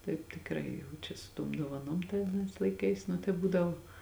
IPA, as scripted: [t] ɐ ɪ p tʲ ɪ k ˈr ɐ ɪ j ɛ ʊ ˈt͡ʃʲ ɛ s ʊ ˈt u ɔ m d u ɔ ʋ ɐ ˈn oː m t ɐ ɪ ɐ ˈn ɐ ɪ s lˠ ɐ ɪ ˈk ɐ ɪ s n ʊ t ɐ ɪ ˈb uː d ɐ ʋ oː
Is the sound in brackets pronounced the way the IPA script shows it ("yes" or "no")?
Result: yes